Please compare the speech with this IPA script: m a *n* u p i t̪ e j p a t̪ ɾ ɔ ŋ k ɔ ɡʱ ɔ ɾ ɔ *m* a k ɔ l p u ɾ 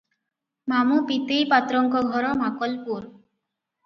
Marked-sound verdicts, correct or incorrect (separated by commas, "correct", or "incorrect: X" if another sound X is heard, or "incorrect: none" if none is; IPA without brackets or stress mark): incorrect: m, correct